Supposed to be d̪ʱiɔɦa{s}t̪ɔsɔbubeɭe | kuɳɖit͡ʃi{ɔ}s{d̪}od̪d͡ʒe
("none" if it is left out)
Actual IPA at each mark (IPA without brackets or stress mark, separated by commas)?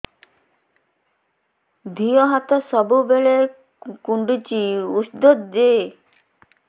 none, u, d̪